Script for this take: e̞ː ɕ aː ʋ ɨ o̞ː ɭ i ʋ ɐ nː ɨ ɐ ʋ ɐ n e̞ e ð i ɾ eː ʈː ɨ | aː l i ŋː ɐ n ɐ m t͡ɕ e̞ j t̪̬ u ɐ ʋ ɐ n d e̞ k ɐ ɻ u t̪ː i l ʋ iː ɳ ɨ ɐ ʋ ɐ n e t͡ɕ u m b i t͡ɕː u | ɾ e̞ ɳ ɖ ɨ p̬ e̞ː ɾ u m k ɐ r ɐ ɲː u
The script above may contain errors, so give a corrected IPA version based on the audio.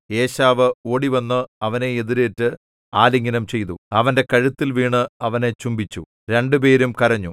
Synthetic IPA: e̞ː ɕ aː ʋ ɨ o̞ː ɽ i ʋ ɐ nː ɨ ɐ ʋ ɐ n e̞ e ð i ɾ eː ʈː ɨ | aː l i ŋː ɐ n ɐ m t͡ɕ e̞ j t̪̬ u ɐ ʋ ɐ n d e̞ k ɐ ɻ u t̪ː i l ʋ iː ɳ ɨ ɐ ʋ ɐ n e t͡ɕ u m b i t͡ɕː u | ɾ e̞ ɳ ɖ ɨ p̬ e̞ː ɾ u m k ɐ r ɐ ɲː u